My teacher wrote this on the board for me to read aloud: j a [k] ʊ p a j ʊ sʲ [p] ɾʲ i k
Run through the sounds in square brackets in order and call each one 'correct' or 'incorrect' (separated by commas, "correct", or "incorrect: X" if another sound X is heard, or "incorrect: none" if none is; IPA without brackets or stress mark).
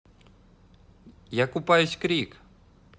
correct, incorrect: k